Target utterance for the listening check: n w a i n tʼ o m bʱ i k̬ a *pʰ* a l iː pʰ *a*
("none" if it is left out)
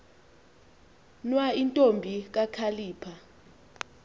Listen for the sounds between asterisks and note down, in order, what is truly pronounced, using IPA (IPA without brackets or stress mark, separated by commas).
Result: kʰ, a